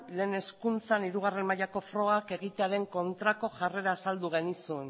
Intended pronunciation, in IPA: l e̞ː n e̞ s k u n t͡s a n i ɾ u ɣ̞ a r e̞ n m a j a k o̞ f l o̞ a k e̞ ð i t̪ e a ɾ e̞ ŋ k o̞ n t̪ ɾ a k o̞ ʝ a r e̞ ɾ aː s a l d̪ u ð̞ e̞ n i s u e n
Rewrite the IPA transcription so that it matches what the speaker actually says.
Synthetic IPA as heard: l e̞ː n e̞ s k u n t͡s a n i ɾ u ɣ̞ a r e̞ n m a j a k o̞ f ɾ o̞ a k e̞ ɣ i t̪ e a ɾ e̞ ŋ k o̞ n t̪ ɾ a k o̞ ʝ a r e̞ ɾ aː s a l d̪ u ɣ̞ e̞ n i s u e n